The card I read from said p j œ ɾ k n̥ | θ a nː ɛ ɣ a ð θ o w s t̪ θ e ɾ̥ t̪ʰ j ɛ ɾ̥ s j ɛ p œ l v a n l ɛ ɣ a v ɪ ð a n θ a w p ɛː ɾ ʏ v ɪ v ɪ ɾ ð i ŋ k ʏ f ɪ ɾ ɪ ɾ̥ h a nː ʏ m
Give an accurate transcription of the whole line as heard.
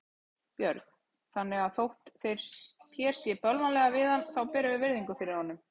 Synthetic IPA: p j œ ɾ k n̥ | θ a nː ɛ ɣ a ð θ o w h t̪ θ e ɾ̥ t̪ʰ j ɛ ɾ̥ s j ɛ p œ l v a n l ɛ ɣ a v ɪ ð a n θ a w p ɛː ɾ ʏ v ɪ v ɪ ɾ ð i ŋ k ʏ f ɪ ɾ ɪ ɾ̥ h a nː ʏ m